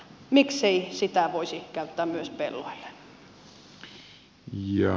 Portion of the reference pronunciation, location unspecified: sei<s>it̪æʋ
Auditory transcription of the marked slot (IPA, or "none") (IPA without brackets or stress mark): s